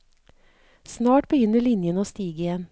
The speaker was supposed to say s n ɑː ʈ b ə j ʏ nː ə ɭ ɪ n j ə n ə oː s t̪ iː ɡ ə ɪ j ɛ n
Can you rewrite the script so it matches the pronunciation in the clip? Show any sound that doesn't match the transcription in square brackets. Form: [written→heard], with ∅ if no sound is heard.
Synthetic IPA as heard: s n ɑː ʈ b ə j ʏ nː ə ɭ ɪ n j ə n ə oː s t̪ iː ɡ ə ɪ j ɛ n